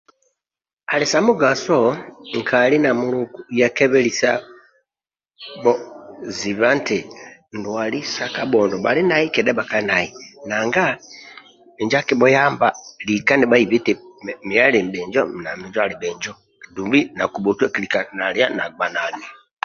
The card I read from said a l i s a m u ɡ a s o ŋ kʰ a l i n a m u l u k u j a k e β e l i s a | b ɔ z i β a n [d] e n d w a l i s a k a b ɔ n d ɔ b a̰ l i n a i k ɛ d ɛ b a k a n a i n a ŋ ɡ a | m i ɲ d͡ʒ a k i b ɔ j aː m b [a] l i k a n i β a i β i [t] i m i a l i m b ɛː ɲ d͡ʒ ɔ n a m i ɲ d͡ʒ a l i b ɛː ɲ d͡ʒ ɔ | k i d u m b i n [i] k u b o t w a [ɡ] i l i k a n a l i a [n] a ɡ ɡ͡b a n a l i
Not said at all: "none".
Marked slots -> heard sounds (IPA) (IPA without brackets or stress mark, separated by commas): t, a, t, a, k, n